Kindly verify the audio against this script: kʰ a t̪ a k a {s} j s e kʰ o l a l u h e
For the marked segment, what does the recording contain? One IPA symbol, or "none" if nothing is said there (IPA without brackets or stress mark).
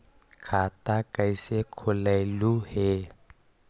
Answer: none